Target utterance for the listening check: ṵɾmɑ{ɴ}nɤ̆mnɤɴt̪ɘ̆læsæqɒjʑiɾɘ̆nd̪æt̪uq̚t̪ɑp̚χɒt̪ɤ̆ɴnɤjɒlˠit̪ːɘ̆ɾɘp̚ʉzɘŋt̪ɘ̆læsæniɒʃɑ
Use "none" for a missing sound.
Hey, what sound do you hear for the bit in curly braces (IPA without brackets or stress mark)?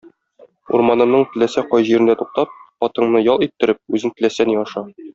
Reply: none